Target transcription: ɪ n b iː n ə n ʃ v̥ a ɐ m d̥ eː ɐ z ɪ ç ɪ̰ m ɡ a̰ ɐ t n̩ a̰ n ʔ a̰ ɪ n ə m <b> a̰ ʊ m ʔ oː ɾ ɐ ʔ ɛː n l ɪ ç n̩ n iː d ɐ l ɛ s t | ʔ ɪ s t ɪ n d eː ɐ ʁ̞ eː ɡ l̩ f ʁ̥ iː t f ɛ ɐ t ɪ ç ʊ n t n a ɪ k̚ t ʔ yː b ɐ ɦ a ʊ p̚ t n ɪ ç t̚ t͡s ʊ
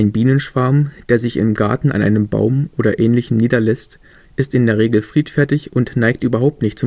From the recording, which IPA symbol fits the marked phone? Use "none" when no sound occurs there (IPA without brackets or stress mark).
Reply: b